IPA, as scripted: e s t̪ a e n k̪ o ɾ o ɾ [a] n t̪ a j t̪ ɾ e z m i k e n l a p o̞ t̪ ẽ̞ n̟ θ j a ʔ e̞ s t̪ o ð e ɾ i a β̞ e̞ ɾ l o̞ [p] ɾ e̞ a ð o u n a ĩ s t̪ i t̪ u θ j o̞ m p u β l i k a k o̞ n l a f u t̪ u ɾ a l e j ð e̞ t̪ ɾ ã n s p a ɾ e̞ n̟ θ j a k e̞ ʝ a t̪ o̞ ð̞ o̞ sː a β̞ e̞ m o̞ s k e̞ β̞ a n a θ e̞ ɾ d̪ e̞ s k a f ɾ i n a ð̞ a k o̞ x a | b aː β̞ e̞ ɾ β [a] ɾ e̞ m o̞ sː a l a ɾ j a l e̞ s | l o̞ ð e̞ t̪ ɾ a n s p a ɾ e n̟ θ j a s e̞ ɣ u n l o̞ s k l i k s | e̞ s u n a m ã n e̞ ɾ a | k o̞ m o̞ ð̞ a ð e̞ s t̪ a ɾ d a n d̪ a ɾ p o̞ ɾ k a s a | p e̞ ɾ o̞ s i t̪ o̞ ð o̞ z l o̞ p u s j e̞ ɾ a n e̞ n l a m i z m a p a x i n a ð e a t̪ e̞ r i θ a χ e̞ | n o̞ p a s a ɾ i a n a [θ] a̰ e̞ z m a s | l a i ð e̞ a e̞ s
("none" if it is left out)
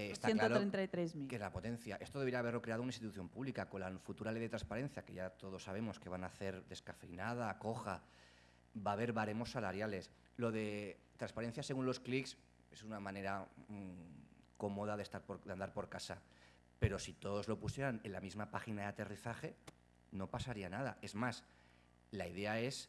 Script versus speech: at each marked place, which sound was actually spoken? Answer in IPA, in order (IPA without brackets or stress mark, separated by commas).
e, k, a, ð